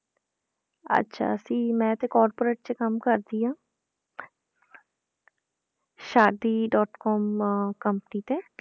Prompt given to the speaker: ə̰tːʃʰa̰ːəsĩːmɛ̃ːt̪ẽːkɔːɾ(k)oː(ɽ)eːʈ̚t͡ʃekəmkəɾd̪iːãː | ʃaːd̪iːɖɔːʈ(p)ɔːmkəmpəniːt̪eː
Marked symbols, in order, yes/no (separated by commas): no, no, no